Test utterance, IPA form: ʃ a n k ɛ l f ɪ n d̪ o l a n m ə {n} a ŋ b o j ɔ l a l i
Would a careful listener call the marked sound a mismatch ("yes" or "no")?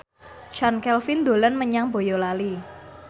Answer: yes